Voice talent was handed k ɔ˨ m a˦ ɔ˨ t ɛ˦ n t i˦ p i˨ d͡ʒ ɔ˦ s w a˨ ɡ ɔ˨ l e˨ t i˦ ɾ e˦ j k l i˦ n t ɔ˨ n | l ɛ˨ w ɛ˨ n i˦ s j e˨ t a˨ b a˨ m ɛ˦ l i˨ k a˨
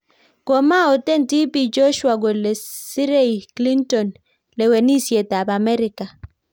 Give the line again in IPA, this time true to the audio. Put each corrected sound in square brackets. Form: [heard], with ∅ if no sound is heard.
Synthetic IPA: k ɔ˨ m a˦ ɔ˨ t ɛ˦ n t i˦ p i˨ d͡ʒ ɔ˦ [ʃ] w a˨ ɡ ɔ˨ l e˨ [s] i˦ ɾ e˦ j k l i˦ n t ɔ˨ n | l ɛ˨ w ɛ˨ n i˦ s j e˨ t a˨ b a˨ m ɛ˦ [ɾ] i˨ k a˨